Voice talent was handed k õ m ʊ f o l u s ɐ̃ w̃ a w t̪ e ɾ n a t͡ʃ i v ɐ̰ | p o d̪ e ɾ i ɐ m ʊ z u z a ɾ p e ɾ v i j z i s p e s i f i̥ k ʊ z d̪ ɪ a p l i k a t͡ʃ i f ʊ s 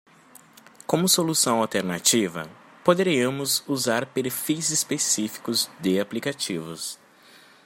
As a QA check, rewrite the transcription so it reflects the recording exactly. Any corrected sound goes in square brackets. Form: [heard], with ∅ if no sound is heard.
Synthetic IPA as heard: k õ m ʊ [s] o l u s ɐ̃ w̃ a w t̪ e ɾ n a t͡ʃ i v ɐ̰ | p o d̪ e ɾ i ɐ m ʊ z u z a ɾ p e ɾ [f] i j z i s p e s i f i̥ k ʊ z d̪ ɪ a p l i k a t͡ʃ i [v] ʊ s

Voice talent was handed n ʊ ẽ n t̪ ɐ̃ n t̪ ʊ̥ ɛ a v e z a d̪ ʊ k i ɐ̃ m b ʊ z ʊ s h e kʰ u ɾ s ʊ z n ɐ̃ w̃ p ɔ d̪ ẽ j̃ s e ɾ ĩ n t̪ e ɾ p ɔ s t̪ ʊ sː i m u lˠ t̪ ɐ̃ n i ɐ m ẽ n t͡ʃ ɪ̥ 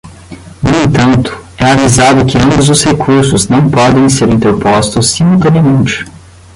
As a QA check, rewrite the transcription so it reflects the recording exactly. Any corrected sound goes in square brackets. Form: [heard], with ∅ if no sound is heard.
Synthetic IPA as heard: n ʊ ẽ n t̪ ɐ̃ n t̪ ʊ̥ ɛ a v [i] z a d̪ ʊ k [ɪ] ɐ̃ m b ʊ z ʊ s h e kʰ u ɾ s ʊ z n ɐ̃ w̃ p ɔ d̪ ẽ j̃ s e ɾ ĩ n t̪ e ɾ p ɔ s t̪ ʊ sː i m u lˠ t̪ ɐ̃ n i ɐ m ẽ n t͡ʃ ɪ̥

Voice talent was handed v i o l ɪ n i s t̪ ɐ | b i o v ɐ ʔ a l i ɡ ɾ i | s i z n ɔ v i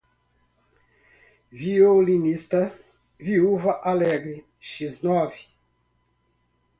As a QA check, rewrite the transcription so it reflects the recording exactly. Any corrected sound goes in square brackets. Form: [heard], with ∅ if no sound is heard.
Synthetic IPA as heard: v i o l [i] n i s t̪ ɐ | [v] i [u] v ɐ ʔ a l [ɛ] ɡ ɾ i | [ʃ] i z n ɔ v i

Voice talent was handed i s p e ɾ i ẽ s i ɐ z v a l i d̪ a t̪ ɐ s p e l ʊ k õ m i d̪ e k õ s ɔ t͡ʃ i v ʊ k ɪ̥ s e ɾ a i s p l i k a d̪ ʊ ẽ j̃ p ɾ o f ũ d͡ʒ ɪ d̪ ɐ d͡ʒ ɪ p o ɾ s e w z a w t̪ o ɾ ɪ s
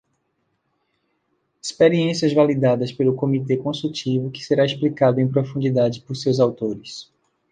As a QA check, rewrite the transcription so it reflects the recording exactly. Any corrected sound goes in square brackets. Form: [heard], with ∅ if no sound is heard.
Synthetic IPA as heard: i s p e ɾ i ẽ s i ɐ z v a l i d̪ a [d̪] ɐ s p e l ʊ k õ m i [t̪] e k õ s [u] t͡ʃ i v ʊ k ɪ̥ s e ɾ a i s p l i k a d̪ ʊ ẽ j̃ p ɾ o f ũ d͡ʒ [i] d̪ [a] d͡ʒ ɪ p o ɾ s e w z a w t̪ o ɾ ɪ s

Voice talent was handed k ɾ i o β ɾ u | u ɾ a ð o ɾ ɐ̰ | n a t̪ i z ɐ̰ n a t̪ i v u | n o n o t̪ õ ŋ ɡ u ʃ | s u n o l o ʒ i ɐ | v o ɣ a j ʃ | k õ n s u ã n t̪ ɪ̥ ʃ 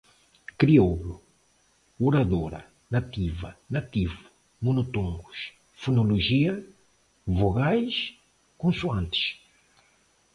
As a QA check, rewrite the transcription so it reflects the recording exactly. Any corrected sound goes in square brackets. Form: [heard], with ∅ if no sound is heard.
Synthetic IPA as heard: k ɾ i o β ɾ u | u ɾ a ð o ɾ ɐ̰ | n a t̪ i [v] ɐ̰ n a t̪ i v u | [m] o n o t̪ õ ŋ ɡ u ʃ | [f] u n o l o ʒ i ɐ | v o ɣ a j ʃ | k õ n s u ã n t̪ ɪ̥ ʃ

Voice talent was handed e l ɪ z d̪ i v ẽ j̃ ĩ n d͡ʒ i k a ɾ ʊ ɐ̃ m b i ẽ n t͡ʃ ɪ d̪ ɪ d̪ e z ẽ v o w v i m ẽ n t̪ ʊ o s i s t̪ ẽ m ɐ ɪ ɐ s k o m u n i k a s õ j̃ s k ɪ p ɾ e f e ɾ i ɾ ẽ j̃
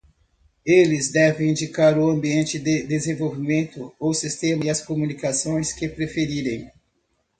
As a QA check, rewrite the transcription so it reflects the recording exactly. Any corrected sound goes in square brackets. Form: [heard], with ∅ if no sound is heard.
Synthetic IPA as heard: e l ɪ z d̪ [ɛ] v ẽ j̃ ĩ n d͡ʒ i k a ɾ ʊ ɐ̃ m b i ẽ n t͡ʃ ɪ d̪ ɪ d̪ e z ẽ v o w v i m ẽ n t̪ ʊ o s i s t̪ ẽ m ɐ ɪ ɐ s k o m u n i k a s õ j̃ s k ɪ p ɾ e f e ɾ i ɾ ẽ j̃

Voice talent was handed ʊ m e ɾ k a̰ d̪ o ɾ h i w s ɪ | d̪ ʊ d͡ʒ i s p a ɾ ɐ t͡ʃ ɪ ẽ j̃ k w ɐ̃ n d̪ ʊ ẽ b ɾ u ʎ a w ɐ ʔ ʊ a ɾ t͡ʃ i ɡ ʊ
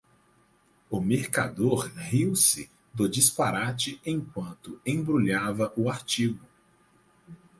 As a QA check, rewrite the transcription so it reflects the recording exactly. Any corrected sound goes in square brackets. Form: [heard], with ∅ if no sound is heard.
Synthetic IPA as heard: ʊ m e ɾ k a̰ d̪ o ɾ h i w s ɪ | d̪ ʊ d͡ʒ i s p a ɾ [a] t͡ʃ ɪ ẽ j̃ k w ɐ̃ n [t̪] ʊ ẽ b ɾ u ʎ a [v] ɐ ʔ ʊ a ɾ t͡ʃ i ɡ ʊ

